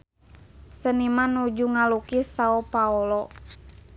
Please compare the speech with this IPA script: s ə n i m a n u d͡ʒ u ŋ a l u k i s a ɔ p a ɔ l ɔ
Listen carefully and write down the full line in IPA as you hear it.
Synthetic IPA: s ə n i m a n u d͡ʒ u ŋ a l u k i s a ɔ p a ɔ l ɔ